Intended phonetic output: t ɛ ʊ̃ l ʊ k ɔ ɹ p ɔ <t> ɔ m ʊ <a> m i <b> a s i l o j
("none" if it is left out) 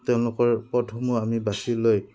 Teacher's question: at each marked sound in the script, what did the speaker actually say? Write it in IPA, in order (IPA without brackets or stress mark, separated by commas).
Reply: tʰ, a, b